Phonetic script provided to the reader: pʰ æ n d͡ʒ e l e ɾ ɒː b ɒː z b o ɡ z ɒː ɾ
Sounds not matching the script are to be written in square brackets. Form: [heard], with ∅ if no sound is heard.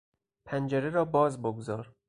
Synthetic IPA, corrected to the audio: pʰ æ n d͡ʒ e [ɾ] e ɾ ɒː b ɒː z b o ɡ z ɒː ɾ